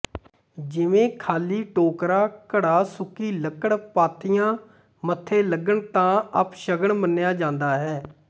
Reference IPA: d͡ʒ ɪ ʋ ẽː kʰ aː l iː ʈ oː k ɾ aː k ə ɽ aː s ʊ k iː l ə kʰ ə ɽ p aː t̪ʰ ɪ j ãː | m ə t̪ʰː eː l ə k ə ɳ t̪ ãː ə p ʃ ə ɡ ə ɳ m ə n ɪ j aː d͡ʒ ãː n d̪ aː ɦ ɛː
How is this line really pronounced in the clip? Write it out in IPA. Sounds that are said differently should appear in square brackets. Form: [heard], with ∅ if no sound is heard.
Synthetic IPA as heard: d͡ʒ ɪ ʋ ẽː kʰ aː l iː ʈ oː k ɾ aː k ə ɽ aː s ʊ k iː l ə [k] ə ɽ p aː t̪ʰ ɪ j ãː | m ə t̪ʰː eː l ə [ɡ] ə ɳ t̪ ãː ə p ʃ ə ɡ ə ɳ m ə n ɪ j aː d͡ʒ ãː n d̪ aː ɦ ɛː